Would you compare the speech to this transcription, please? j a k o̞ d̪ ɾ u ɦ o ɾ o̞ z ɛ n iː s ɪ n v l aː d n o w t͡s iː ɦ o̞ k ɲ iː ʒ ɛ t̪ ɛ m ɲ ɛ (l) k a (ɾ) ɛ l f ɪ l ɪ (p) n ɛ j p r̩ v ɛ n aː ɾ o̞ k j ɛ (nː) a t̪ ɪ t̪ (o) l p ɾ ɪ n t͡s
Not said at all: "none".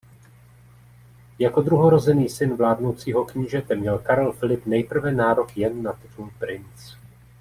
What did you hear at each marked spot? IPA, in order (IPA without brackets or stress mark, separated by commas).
l, ɾ, p, nː, u